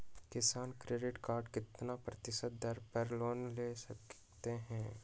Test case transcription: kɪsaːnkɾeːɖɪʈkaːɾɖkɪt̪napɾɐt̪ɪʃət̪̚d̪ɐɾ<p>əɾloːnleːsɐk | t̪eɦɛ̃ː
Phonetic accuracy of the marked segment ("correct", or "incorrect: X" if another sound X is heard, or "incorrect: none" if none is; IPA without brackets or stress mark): correct